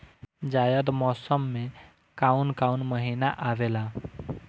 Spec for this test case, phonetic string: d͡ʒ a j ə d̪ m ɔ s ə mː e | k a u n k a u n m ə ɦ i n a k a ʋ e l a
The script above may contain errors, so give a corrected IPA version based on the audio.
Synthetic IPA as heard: d͡ʒ a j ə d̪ m ɔ s ə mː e | k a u n k a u n m ə ɦ i n a ʔ a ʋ e l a